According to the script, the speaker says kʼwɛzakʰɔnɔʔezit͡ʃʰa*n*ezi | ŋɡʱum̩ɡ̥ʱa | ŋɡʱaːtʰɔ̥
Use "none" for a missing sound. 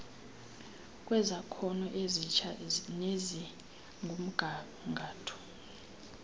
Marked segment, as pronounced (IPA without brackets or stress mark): n